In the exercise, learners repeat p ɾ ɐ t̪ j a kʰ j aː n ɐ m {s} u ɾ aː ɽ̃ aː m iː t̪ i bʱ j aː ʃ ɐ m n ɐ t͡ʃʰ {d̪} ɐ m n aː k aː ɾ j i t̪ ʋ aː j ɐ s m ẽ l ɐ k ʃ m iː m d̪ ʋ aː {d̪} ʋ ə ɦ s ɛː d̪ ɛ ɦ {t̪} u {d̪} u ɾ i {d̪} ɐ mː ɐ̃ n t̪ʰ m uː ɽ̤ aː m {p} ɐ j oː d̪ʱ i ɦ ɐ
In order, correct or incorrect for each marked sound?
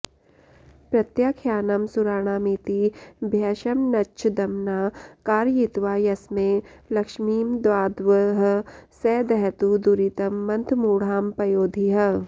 correct, correct, correct, correct, correct, incorrect: t̪, correct

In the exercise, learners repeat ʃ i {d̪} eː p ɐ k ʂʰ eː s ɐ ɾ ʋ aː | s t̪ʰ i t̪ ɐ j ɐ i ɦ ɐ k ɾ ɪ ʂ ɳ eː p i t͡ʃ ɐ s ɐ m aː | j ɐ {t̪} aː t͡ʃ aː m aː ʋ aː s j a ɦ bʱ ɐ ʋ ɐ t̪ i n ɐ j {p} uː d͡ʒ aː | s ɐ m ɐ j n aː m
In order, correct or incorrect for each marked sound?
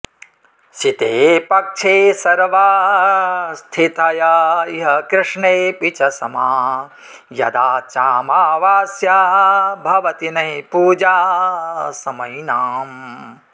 incorrect: t̪, incorrect: d̪, correct

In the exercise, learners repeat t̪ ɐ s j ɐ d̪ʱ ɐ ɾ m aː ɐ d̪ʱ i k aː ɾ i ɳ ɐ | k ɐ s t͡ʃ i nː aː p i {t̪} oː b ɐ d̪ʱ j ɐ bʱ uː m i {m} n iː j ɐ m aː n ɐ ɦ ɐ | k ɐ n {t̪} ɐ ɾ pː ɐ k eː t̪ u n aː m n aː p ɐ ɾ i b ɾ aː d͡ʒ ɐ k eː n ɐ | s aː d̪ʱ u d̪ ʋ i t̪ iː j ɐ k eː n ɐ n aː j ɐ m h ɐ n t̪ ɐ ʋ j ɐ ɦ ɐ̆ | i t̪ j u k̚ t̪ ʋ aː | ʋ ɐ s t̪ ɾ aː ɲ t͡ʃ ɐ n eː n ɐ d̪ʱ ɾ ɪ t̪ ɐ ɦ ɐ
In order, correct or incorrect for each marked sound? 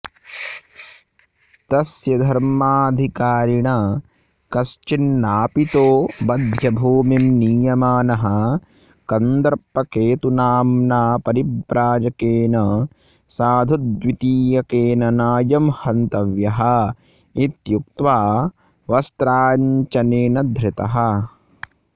correct, correct, incorrect: d̪

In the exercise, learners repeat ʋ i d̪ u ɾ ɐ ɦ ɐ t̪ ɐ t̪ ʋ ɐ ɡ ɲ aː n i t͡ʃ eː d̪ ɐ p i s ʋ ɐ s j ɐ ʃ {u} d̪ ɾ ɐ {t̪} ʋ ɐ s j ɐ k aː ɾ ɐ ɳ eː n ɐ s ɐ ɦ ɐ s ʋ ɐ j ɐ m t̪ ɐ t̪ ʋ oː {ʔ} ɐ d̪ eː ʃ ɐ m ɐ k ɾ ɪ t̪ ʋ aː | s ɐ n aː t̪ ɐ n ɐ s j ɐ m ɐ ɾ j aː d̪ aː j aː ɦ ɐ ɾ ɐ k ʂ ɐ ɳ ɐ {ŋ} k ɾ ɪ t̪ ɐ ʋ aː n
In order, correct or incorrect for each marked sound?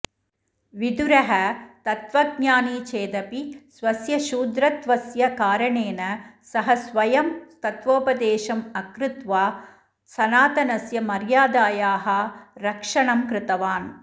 incorrect: uː, correct, incorrect: p, incorrect: m

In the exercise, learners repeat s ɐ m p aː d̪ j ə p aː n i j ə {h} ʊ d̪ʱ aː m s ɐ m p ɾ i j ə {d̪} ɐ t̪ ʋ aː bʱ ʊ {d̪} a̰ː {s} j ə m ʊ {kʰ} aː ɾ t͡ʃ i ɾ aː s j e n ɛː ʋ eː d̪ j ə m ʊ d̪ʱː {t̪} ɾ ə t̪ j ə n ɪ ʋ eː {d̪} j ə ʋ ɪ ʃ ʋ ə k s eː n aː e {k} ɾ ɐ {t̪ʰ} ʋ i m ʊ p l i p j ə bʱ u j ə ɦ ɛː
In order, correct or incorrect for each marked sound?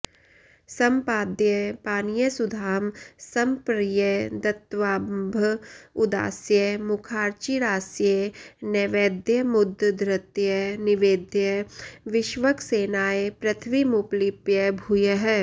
incorrect: s, correct, correct, correct, correct, incorrect: d̪, correct, incorrect: p, correct

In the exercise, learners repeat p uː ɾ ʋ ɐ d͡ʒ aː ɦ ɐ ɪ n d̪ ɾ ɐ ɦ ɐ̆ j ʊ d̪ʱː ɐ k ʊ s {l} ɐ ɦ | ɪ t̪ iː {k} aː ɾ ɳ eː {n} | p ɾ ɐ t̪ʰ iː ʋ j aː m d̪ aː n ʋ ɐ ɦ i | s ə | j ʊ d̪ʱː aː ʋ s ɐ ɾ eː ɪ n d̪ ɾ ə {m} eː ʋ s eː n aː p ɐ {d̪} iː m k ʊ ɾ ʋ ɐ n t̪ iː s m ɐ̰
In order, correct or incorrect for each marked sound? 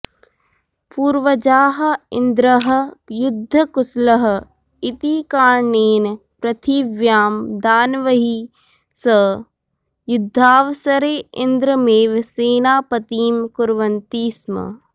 correct, correct, correct, correct, incorrect: t̪

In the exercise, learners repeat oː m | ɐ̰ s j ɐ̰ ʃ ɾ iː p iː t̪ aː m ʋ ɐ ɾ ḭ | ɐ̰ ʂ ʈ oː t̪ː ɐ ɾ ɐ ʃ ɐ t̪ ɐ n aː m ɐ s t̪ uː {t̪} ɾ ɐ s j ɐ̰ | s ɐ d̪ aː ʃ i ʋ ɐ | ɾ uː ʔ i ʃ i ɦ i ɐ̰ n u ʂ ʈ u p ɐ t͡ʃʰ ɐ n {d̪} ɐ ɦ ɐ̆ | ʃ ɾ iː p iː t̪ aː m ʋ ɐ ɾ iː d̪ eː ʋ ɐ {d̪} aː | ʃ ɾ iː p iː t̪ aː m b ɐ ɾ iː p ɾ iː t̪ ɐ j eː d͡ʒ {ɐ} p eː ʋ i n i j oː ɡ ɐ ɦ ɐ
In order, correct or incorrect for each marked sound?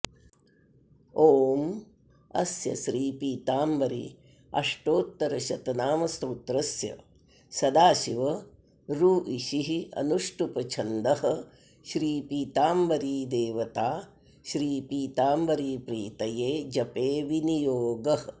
correct, correct, incorrect: t̪, correct

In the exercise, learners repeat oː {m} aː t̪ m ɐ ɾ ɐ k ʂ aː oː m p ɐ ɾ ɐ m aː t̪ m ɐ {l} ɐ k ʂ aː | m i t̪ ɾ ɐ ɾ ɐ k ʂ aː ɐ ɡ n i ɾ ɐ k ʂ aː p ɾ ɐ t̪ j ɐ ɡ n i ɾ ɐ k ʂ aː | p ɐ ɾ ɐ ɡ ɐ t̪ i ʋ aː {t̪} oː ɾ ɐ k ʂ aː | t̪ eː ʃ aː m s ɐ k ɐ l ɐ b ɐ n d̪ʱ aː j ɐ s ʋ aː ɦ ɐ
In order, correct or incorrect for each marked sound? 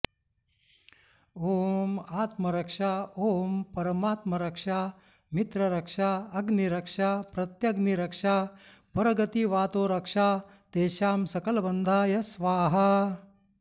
correct, incorrect: ɾ, correct

